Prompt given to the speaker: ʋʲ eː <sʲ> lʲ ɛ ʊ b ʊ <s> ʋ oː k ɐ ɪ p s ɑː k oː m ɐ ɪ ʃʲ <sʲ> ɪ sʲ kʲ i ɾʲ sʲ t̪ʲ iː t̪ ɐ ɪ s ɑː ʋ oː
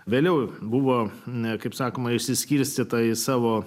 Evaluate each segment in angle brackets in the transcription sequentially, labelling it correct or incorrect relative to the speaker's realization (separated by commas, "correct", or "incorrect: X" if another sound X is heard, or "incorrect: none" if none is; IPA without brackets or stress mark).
incorrect: none, incorrect: none, correct